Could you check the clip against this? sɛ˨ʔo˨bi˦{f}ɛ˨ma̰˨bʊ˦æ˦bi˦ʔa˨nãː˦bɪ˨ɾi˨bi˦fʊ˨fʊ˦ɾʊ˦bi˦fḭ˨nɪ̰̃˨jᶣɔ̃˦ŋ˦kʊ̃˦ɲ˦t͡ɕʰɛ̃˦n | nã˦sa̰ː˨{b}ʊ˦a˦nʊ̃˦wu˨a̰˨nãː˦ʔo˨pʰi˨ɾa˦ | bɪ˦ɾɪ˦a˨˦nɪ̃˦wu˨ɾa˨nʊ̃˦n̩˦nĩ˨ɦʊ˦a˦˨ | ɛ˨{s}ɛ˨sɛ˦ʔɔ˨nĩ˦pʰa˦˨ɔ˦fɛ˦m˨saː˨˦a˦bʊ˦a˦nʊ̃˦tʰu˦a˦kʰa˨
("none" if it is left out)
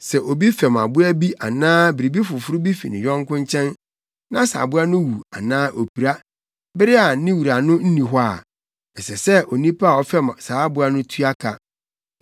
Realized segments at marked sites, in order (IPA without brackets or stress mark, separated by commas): f, b, s